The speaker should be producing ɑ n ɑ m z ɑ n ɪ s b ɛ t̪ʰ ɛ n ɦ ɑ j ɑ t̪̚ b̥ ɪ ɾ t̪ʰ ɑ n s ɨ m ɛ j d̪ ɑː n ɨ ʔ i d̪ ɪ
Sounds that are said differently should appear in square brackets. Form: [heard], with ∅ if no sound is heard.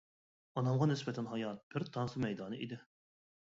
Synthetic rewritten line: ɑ n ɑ m [ʁ] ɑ n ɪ s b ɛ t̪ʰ ɛ n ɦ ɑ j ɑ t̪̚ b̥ ɪ ɾ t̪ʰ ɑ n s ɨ m ɛ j d̪ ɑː n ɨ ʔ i d̪ ɪ